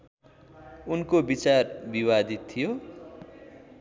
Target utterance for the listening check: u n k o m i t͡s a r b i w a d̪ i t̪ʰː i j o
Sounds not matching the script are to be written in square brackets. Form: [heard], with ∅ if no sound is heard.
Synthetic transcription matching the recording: u n k o [b] i t͡s a r b i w a d̪ i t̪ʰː i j o